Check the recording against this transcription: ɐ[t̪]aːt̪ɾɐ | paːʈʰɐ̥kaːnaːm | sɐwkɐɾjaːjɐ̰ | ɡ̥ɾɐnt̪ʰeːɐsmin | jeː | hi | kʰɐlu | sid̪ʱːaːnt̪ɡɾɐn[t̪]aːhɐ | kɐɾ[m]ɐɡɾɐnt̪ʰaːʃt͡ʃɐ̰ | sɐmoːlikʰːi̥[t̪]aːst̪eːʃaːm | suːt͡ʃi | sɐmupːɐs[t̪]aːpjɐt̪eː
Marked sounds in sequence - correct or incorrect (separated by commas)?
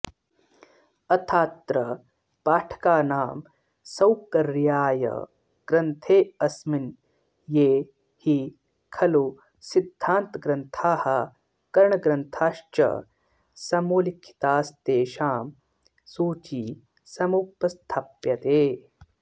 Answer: incorrect, incorrect, incorrect, correct, incorrect